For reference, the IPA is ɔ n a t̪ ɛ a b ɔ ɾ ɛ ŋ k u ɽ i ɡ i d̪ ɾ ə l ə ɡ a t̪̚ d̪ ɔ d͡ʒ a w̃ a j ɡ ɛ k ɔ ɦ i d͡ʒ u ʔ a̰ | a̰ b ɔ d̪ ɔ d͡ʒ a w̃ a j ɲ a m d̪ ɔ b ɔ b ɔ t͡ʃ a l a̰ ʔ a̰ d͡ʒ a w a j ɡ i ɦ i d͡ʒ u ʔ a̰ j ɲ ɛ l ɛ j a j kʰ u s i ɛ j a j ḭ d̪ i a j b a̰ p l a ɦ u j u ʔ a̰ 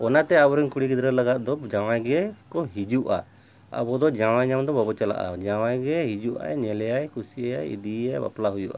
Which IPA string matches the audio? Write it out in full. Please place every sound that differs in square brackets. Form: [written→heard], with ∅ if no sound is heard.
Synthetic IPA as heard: ɔ n a t̪ ɛ a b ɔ ɾ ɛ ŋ k u ɽ i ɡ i d̪ ɾ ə l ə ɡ a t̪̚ d̪ ɔ d͡ʒ a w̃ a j ɡ ɛ k ɔ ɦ i d͡ʒ u ʔ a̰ | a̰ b ɔ d̪ ɔ d͡ʒ a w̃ a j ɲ a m d̪ ɔ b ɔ b ɔ t͡ʃ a l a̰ ʔ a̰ d͡ʒ a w a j ɡ [i→ɛ] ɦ i d͡ʒ u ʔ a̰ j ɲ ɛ l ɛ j a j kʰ u s i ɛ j a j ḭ d̪ i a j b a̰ p l a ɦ u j u ʔ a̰